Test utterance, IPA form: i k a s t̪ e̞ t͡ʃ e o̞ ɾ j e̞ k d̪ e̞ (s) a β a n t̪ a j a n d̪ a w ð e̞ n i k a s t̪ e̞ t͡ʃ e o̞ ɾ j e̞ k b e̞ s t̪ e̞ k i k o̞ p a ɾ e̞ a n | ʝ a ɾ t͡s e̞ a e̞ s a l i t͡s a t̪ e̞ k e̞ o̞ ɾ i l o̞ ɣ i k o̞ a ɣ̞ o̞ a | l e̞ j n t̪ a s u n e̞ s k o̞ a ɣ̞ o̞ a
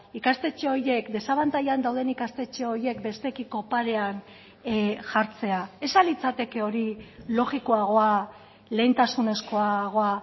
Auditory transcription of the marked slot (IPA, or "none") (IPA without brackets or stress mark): s